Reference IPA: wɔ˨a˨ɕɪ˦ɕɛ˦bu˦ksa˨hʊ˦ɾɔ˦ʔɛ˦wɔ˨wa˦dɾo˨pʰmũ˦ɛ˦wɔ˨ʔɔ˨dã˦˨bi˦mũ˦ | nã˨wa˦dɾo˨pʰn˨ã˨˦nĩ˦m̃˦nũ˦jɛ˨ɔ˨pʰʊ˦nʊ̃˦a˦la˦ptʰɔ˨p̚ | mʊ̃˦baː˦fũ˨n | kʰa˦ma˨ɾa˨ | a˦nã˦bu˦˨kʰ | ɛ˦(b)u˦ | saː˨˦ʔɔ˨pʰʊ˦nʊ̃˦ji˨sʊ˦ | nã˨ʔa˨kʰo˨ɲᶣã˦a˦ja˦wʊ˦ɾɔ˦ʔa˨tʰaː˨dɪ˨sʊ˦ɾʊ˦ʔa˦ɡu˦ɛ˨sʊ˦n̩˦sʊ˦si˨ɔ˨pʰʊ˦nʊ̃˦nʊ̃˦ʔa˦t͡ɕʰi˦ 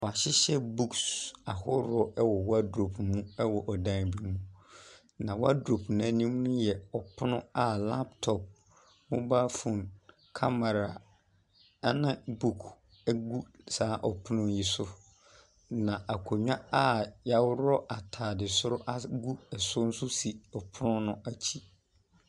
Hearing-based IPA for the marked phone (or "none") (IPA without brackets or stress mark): ɡ